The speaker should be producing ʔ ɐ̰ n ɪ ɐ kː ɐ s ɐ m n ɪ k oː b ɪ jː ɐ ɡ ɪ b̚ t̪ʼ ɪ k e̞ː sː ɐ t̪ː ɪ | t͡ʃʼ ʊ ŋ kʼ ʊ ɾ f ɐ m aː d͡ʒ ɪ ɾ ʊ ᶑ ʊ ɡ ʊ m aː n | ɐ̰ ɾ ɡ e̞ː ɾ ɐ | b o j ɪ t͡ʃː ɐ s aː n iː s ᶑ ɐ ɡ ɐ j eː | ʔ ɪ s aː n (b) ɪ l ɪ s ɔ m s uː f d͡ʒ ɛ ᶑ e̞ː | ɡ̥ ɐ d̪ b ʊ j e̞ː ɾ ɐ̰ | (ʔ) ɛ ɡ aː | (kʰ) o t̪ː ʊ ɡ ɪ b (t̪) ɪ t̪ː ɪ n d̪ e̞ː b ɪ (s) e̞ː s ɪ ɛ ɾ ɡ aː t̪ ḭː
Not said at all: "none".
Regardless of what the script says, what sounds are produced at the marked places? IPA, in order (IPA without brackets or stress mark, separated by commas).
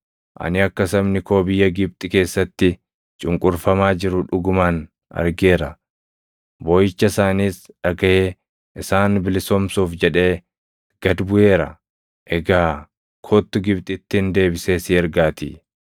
b, ʔ, kʰ, t̪ʼ, s